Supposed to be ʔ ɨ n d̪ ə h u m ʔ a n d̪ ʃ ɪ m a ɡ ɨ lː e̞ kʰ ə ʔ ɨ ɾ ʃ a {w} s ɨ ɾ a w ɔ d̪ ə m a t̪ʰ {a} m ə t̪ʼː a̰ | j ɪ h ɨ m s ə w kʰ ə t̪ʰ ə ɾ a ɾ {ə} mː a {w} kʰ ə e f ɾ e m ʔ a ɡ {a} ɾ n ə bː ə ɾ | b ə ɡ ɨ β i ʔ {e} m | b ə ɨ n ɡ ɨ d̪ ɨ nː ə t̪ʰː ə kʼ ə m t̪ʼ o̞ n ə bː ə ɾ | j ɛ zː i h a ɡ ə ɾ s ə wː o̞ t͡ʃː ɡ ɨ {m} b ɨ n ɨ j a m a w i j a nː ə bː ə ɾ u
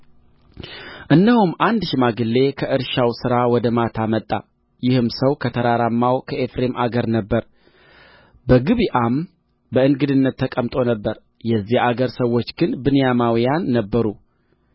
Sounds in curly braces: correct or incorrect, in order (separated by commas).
correct, correct, incorrect, correct, incorrect, incorrect, incorrect